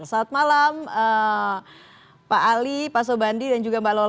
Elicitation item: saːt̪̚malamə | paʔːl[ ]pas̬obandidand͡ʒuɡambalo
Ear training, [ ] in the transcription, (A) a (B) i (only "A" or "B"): B